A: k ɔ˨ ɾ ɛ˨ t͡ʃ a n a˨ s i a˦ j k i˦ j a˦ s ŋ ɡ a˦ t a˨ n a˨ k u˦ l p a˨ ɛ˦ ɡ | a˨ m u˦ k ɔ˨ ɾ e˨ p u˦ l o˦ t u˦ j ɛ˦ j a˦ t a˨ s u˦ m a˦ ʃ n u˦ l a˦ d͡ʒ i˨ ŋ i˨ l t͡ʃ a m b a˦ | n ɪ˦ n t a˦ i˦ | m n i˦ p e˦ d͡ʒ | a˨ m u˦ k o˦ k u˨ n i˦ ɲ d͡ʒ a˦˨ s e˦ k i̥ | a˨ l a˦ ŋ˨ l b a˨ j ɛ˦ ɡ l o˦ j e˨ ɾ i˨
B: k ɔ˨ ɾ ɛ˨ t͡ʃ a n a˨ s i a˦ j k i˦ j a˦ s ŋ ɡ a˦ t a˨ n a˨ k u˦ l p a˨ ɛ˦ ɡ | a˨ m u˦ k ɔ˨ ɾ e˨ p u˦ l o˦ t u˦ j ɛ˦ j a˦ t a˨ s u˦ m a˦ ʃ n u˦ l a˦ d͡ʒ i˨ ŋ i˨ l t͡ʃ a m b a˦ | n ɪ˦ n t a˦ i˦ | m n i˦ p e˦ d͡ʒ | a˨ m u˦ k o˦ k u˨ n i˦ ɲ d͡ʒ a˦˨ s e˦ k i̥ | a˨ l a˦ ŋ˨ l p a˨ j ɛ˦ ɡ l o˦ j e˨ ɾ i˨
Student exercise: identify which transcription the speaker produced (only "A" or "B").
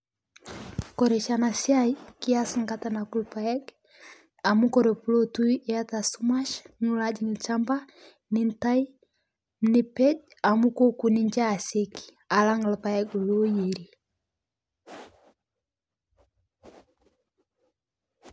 B